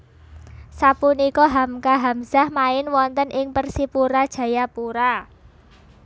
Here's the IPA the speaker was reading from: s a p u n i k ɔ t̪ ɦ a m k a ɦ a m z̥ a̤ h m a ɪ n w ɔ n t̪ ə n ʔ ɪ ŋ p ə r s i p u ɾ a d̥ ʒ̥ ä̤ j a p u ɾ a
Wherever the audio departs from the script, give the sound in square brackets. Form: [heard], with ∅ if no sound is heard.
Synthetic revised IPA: s a p u n i k ɔ [∅] ɦ a m k a ɦ a m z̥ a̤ h m a ɪ n w ɔ n t̪ ə n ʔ ɪ ŋ p ə r s i p u ɾ a d̥ ʒ̥ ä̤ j a p u ɾ a